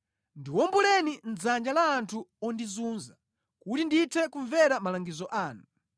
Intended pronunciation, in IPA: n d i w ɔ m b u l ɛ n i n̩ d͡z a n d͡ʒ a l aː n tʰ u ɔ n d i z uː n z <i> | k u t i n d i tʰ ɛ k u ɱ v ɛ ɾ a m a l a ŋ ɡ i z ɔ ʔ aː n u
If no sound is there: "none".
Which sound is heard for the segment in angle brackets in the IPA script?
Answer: a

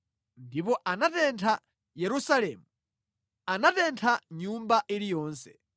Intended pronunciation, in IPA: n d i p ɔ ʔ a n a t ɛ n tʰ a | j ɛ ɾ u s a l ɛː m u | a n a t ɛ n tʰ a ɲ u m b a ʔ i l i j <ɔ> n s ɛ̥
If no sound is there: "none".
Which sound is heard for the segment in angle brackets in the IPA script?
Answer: ɔː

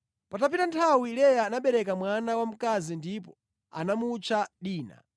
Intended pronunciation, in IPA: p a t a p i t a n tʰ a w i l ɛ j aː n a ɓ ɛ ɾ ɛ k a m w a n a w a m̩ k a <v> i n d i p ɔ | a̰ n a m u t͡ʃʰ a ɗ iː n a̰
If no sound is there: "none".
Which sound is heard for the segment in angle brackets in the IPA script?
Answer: z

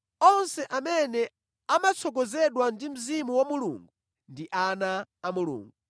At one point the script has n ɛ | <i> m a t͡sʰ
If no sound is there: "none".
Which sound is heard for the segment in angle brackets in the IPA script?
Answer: a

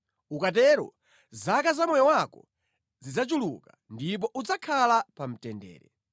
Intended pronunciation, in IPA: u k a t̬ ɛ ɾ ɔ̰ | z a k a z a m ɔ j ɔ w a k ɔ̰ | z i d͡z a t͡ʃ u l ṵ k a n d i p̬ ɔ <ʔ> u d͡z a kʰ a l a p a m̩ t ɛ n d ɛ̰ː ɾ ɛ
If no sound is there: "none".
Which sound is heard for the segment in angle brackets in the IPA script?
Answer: ʔ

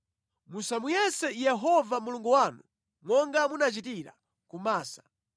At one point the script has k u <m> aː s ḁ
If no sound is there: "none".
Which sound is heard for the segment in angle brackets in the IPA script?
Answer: m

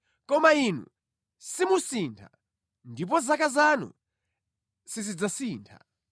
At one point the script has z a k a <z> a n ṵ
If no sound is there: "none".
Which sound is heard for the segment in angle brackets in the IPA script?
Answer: z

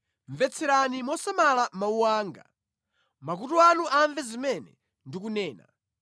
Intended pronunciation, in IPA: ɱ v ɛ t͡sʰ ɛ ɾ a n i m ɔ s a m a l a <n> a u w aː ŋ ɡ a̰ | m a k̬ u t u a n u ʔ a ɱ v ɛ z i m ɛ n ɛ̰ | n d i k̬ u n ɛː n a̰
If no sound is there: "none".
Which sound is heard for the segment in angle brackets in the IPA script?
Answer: m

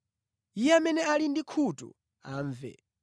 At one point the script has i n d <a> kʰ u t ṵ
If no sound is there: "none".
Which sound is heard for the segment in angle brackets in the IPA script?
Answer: i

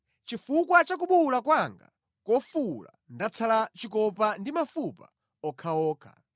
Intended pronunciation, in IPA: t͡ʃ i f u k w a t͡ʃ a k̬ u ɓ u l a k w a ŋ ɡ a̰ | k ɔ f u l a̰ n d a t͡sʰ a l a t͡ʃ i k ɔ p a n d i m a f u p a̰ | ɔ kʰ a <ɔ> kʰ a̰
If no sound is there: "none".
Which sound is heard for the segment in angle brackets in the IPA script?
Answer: ɔː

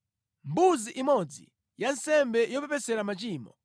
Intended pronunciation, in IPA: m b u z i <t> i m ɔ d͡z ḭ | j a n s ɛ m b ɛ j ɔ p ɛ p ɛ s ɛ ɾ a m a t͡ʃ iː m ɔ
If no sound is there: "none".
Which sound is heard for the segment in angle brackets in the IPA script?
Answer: ʔ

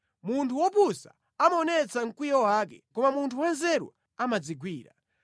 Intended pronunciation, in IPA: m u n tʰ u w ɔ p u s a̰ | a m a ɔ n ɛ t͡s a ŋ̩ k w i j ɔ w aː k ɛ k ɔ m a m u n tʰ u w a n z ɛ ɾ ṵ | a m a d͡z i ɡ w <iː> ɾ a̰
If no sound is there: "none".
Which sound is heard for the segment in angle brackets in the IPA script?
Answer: iː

